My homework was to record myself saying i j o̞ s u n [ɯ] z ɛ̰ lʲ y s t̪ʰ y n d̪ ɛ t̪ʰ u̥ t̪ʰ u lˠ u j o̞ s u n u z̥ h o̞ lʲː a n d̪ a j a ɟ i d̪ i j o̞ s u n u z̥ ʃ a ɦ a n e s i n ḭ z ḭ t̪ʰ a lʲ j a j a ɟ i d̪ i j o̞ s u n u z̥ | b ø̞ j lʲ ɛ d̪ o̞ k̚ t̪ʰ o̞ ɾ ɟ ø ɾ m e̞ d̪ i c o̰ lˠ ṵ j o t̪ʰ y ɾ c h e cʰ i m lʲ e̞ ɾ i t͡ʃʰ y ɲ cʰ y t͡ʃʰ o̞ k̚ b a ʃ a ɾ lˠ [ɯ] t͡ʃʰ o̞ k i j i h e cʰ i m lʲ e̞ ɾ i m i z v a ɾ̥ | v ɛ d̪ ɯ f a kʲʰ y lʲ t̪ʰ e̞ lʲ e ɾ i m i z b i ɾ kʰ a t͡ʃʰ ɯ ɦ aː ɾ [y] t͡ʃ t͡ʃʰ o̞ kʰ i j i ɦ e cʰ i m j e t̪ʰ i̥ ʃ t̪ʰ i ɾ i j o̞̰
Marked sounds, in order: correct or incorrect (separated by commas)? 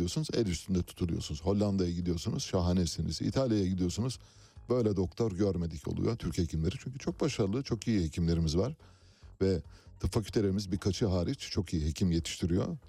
incorrect, correct, incorrect